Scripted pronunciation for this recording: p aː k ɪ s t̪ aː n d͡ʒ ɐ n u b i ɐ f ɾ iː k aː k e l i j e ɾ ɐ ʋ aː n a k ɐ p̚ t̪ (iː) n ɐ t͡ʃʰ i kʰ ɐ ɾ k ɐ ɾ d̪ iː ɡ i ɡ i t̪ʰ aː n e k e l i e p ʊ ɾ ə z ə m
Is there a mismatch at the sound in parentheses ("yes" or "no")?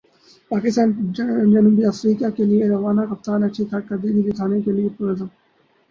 yes